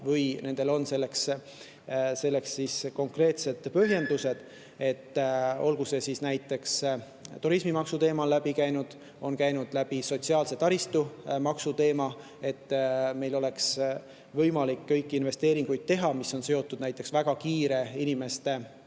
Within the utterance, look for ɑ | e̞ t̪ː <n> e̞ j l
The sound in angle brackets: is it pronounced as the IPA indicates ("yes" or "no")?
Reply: no